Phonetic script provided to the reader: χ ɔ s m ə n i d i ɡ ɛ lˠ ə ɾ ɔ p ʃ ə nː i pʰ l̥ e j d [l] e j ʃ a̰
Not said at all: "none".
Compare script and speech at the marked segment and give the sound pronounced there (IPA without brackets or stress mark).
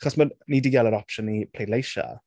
l